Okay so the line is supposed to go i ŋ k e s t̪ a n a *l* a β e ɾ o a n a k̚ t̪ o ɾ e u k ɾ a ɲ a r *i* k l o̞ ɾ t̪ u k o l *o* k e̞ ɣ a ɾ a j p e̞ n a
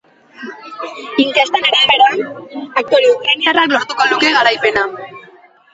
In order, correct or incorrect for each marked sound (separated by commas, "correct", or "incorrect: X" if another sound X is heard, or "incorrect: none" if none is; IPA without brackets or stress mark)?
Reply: incorrect: ɾ, incorrect: a, incorrect: u